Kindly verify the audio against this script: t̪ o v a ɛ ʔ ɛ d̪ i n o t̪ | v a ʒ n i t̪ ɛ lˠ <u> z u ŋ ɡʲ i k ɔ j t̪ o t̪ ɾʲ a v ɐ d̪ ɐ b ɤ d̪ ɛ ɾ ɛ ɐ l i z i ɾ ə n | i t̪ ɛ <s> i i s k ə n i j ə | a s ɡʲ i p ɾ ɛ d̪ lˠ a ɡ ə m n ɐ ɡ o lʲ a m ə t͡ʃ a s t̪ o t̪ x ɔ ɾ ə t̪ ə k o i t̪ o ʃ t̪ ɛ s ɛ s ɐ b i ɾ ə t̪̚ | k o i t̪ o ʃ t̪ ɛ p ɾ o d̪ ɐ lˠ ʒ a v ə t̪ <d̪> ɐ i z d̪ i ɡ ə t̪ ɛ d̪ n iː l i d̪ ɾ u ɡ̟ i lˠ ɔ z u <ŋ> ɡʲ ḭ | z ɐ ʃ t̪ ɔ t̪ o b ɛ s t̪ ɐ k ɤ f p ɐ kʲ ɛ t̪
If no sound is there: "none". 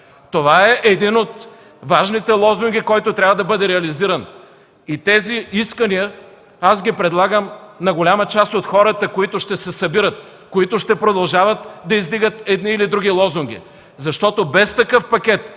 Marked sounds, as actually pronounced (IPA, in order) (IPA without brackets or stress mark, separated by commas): ɔ, z, d̪, ŋ